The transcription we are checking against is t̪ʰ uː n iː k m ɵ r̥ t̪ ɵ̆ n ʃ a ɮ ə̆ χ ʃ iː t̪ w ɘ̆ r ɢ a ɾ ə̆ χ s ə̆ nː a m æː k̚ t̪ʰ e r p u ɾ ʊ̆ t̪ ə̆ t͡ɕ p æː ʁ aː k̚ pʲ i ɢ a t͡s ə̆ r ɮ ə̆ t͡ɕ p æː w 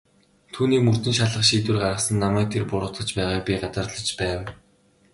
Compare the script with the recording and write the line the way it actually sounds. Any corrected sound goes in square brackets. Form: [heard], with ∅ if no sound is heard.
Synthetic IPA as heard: t̪ʰ uː n iː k m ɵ r̥ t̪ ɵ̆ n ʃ a ɮ ə̆ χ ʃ iː t̪ w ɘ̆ r ɢ a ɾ ə̆ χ s ə̆ nː a m æː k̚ t̪ʰ e r p [ʊ] ɾ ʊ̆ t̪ ə̆ t͡ɕ p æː ʁ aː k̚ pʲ i ɢ a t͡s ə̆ r ɮ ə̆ t͡ɕ p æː w